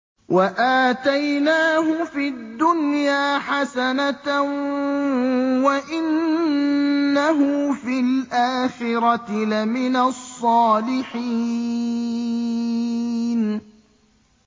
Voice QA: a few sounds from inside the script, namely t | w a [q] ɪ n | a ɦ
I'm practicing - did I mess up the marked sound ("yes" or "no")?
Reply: yes